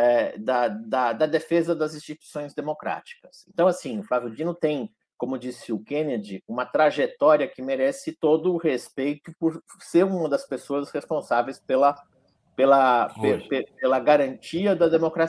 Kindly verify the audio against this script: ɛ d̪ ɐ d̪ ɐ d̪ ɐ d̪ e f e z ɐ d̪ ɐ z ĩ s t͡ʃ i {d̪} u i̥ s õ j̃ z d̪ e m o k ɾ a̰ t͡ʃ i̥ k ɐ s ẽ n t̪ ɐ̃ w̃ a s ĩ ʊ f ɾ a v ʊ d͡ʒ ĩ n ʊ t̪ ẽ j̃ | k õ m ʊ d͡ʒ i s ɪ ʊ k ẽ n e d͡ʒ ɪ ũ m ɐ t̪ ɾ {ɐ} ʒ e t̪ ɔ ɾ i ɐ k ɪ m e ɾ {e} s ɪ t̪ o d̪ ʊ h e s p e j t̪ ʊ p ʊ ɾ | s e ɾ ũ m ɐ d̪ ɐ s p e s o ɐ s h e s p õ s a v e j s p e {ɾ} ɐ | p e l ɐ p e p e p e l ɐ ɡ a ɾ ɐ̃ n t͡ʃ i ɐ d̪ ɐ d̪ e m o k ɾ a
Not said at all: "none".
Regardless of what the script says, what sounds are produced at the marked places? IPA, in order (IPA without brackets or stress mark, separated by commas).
t̪, a, ɛ, l